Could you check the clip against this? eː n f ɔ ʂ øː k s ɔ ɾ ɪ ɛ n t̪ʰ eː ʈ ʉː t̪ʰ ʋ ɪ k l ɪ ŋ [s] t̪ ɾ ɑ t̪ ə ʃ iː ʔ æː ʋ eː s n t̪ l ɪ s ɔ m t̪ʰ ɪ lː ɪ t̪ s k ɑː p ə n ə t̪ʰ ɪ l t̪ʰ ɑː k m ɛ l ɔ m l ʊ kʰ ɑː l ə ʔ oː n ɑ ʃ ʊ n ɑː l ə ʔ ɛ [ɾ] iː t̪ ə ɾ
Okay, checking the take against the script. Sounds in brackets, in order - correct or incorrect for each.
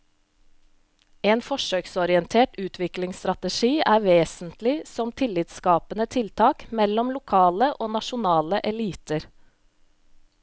correct, incorrect

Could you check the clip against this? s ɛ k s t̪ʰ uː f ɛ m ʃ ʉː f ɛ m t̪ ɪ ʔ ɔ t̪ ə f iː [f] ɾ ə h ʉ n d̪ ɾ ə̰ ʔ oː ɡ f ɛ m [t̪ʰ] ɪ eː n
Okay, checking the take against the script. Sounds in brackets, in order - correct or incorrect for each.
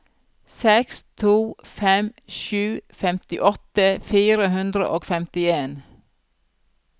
incorrect, incorrect

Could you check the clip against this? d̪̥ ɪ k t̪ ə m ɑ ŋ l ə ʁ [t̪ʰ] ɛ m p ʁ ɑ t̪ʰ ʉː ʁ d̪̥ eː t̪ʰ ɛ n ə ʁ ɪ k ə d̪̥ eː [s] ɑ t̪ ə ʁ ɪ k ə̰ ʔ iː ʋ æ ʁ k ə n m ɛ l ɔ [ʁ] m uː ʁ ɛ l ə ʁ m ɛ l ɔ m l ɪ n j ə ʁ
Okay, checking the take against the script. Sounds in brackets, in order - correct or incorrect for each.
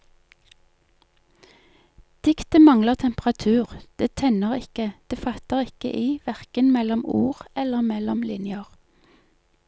correct, incorrect, incorrect

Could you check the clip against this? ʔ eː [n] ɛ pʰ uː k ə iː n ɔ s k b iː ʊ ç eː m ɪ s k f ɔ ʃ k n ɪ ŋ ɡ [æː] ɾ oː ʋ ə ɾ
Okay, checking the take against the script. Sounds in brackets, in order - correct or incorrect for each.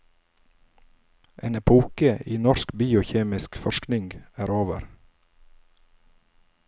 correct, correct

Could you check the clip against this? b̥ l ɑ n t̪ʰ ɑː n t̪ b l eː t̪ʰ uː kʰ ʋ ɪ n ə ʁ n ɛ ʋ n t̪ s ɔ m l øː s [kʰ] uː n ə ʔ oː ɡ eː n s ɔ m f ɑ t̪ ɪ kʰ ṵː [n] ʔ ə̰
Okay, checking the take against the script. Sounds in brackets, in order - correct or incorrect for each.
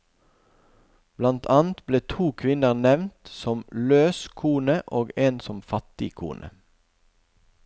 correct, correct

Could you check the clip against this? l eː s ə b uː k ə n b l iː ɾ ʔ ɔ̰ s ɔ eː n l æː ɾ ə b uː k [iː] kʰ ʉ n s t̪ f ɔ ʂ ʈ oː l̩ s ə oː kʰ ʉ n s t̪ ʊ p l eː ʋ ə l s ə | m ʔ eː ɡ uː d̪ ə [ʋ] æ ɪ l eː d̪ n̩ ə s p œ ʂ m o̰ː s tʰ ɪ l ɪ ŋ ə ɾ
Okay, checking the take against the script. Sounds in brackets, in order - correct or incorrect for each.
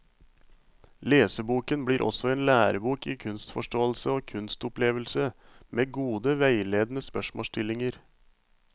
correct, correct

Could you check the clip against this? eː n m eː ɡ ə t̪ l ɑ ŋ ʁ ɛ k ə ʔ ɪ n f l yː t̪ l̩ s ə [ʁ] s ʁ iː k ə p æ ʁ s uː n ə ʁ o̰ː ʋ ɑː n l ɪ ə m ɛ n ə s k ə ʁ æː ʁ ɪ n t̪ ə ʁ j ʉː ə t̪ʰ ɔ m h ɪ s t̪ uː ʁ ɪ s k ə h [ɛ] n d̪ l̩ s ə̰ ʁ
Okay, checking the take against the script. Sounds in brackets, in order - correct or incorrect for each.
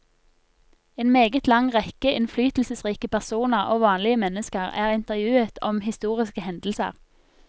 incorrect, correct

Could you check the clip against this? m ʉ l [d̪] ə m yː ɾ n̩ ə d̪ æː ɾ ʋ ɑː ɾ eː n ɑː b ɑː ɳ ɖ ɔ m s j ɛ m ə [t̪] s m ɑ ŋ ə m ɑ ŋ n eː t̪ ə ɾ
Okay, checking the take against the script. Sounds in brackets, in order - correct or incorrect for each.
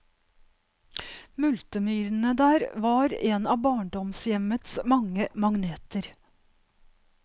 incorrect, correct

